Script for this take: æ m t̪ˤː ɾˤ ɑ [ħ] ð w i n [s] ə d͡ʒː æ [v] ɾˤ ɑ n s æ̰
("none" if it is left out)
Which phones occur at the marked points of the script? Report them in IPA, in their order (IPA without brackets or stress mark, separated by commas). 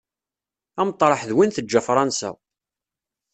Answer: ħ, θ, f